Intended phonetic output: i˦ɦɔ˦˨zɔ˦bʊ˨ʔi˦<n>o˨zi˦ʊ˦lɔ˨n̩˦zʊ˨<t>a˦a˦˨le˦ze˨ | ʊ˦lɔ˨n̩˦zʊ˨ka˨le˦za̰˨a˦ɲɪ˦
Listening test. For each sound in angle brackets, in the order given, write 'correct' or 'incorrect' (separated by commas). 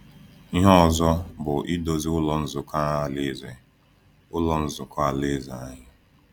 incorrect, incorrect